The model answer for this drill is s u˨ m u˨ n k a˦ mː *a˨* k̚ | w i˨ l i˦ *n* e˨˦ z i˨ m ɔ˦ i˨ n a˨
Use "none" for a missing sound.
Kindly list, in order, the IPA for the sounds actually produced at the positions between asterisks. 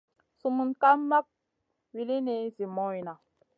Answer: a˦, n

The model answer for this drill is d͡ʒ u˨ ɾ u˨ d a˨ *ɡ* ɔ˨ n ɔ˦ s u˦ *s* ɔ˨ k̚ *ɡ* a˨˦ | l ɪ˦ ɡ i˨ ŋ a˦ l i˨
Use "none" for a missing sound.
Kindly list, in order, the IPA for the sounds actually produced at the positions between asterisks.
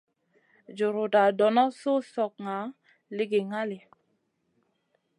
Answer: d, s, ŋ

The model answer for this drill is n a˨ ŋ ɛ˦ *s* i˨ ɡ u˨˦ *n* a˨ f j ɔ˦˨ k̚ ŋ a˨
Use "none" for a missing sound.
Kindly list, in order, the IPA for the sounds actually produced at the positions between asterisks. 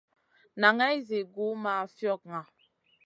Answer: z, m

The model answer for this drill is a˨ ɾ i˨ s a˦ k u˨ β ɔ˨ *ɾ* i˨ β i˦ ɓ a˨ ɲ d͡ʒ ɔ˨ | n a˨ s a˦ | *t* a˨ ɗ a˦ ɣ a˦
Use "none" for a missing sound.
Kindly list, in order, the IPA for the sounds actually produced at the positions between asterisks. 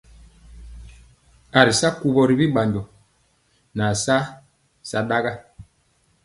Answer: ɾ, s

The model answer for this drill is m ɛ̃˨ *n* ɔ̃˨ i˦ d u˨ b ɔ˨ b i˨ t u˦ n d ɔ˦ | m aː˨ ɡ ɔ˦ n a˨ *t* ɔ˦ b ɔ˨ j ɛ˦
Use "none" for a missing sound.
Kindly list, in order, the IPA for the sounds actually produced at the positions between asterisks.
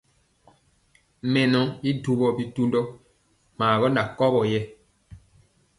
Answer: n, k

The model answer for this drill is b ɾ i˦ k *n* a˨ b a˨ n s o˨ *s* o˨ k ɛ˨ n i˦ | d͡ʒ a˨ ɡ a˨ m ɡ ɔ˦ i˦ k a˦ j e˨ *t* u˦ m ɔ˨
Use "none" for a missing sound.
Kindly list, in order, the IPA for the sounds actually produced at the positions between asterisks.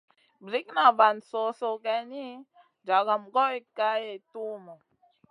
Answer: n, s, t

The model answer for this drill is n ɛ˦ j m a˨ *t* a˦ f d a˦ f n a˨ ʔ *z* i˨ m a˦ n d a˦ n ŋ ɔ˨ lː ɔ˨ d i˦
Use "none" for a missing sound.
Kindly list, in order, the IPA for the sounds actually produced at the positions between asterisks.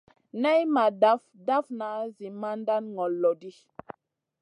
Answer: d, z

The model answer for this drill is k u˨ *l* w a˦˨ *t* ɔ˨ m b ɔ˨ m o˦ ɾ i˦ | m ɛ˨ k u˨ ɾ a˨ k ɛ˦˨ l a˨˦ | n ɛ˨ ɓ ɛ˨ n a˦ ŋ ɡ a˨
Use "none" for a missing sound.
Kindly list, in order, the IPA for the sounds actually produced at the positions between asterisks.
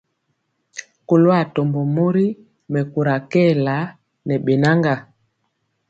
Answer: l, t

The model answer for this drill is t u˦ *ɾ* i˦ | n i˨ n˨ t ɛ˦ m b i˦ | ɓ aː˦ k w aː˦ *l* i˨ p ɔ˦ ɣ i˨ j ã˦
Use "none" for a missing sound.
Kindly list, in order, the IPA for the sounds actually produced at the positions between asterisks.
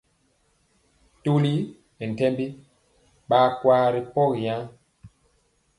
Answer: l, ɾ

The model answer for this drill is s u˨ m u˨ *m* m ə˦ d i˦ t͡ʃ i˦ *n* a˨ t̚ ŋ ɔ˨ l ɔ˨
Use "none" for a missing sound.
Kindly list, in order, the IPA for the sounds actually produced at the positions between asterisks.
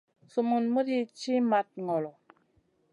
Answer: n, m

